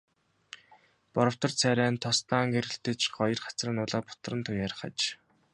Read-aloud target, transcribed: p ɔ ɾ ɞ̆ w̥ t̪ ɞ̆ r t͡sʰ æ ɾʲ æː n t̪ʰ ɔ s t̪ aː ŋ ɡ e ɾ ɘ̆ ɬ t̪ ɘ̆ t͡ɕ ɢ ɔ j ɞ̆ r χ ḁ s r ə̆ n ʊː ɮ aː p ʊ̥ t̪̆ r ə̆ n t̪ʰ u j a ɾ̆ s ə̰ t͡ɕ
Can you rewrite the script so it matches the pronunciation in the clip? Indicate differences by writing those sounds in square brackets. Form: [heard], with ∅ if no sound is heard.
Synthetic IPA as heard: p ɔ ɾ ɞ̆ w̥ t̪ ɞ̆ r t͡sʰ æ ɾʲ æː n t̪ʰ ɔ s t̪ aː ŋ ɡ e ɾ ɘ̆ ɬ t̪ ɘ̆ t͡ɕ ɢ ɔ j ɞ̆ r χ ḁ [t͡s] r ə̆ n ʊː ɮ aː p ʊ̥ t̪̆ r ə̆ n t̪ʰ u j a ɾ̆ [χ] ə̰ t͡ɕ

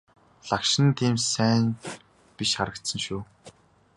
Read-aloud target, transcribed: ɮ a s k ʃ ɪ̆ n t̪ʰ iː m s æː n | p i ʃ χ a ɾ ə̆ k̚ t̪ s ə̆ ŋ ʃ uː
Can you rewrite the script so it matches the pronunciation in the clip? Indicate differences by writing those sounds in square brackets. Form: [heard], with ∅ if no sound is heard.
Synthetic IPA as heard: ɮ a [∅] k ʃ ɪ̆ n t̪ʰ iː m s æː n | p i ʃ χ a ɾ ə̆ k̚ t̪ s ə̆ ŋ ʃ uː

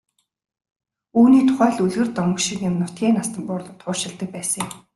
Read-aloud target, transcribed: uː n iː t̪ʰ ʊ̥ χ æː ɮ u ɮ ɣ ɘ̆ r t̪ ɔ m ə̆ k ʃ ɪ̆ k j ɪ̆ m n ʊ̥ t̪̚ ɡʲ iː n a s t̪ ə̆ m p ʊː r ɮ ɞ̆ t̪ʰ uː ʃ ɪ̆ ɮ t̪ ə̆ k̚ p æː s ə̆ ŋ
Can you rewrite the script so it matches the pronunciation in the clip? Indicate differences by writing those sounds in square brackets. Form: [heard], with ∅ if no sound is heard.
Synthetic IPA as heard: uː n iː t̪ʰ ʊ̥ χ æː ɮ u ɮ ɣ ɘ̆ r t̪ ɔ m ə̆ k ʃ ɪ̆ k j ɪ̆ m n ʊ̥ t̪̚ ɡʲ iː n a s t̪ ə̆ m p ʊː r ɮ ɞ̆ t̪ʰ [ʊː] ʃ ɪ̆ ɮ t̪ ə̆ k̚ p æː s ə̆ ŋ

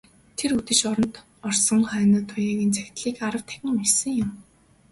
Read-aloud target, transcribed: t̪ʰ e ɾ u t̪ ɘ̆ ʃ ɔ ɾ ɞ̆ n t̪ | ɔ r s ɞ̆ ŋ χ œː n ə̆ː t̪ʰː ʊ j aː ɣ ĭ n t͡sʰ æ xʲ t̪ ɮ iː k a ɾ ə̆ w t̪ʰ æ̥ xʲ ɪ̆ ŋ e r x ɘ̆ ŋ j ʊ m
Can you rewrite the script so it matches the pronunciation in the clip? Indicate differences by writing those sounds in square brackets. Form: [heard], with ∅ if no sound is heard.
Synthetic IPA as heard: t̪ʰ e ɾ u t̪ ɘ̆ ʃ ɔ ɾ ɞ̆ n t̪ | ɔ r s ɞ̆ ŋ χ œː n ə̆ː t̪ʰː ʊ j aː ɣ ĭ n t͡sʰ æ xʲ t̪ ɮ iː k a ɾ ə̆ w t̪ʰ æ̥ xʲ ɪ̆ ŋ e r [s] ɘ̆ ŋ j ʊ m

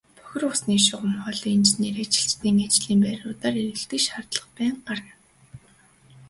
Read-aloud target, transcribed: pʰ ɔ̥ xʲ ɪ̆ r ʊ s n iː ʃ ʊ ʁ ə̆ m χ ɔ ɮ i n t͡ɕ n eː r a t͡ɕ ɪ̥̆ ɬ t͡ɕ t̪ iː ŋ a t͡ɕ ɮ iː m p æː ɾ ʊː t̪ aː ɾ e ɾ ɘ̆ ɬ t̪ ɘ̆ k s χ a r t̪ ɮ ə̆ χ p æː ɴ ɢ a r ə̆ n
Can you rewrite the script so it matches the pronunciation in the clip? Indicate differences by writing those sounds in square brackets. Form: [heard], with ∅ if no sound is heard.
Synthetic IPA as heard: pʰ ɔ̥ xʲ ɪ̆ r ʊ s n iː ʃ ʊ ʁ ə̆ m χ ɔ ɮ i n t͡ɕ n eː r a t͡ɕ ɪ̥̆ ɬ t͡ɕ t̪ iː ŋ a t͡ɕ ɮ iː m p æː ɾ ʊː t̪ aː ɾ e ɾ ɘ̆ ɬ t̪ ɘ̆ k [ʃ] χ a r t̪ ɮ ə̆ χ p æː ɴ ɢ a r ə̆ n

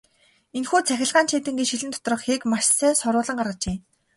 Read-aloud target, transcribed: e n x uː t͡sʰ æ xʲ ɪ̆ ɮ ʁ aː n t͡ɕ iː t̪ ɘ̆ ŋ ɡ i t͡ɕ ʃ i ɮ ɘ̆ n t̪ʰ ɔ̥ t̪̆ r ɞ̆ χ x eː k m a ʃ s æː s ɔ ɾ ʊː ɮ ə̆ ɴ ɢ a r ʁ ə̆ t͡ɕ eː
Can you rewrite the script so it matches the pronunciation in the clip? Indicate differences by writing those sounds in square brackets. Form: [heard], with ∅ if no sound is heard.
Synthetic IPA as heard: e n x uː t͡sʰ æ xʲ ɪ̆ ɮ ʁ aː n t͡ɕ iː t̪ ɘ̆ ŋ ɡ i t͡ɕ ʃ i ɮ ɘ̆ n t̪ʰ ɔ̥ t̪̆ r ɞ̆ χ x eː k m a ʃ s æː s ɔ ɾ ʊː ɮ ə̆ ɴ ɢ a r ʁ ə̆ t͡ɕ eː

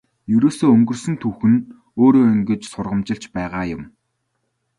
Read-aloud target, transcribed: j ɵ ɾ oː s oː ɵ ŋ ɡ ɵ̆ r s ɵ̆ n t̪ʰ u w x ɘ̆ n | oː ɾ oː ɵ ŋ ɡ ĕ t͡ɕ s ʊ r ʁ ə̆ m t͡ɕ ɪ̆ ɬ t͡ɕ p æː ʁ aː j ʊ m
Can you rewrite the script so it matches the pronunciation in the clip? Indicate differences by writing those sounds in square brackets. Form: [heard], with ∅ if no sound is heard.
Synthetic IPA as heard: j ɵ ɾ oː s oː ɵ ŋ ɡ ɵ̆ r s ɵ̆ n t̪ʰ u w x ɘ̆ n | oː ɾ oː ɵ ŋ ɡ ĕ t͡ɕ s ʊ r ʁ ə̆ m t͡ɕ ɪ̆ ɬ t͡ɕ p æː ʁ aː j ʊ m

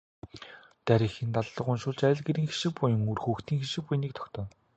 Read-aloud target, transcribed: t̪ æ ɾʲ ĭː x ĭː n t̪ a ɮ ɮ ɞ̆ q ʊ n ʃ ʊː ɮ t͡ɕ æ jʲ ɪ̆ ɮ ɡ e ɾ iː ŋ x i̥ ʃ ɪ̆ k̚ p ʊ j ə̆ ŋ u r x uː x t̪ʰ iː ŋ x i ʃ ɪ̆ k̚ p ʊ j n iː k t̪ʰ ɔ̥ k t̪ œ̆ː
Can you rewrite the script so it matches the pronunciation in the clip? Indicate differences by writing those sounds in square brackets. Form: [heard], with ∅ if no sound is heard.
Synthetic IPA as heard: t̪ æ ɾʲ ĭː x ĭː n t̪ a ɮ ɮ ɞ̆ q ʊ n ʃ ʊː ɮ t͡ɕ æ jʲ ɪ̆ ɮ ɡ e ɾ iː ŋ x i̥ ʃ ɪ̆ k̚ p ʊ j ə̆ ŋ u r x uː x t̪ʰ iː ŋ x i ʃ ɪ̆ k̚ p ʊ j n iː k t̪ʰ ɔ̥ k t̪ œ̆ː

